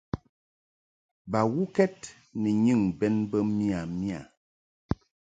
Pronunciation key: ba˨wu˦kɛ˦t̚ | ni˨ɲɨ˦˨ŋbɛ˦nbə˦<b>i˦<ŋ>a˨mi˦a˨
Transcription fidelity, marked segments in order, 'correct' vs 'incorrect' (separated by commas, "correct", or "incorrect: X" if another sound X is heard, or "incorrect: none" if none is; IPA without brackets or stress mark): incorrect: m, incorrect: none